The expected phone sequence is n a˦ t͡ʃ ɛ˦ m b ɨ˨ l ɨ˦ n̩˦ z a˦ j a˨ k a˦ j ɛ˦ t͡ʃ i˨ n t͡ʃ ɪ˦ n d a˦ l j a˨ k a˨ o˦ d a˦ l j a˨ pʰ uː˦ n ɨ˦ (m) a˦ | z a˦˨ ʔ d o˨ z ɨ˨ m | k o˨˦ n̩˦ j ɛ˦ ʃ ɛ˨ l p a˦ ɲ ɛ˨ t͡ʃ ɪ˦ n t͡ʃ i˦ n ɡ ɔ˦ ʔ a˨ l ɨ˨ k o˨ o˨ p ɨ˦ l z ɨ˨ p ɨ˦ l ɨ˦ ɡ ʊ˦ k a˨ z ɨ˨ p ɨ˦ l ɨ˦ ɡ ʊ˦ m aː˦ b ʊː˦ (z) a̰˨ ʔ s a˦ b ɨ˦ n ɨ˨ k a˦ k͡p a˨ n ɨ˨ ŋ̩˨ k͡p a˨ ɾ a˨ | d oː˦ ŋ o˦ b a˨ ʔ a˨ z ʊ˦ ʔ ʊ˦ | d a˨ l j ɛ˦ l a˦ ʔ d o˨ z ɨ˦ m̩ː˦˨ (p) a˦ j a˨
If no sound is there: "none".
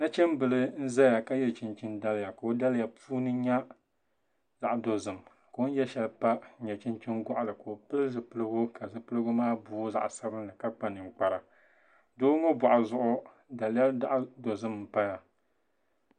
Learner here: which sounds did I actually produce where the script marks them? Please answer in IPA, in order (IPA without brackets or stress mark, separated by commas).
ɲ, z, p